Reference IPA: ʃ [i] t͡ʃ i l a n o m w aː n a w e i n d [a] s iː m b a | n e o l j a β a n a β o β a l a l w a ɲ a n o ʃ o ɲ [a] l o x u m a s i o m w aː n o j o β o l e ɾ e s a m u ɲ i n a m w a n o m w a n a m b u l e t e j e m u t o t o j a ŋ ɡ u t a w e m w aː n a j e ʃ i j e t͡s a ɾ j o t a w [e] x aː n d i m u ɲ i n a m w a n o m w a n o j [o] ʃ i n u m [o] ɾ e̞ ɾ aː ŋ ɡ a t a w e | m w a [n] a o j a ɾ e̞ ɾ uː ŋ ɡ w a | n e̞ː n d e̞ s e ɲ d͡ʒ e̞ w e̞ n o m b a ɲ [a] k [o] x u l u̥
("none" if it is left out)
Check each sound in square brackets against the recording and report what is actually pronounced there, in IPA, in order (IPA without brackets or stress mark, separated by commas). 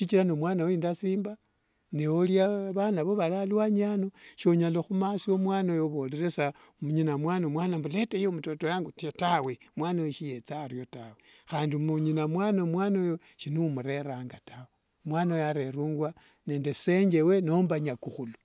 i, a, a, e, o, u, n, a, u